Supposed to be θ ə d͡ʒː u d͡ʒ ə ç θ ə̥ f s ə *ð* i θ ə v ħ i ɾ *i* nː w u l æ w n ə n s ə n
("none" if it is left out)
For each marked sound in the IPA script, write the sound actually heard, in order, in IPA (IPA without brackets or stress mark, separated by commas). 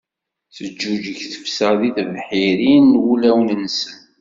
ð, i